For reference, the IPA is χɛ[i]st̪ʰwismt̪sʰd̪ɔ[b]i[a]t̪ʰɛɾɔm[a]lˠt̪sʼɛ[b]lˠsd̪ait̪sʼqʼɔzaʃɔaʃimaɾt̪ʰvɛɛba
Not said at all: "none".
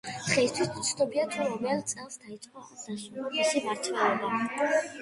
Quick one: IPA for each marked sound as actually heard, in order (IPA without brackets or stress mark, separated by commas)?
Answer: i, b, a, ɛ, none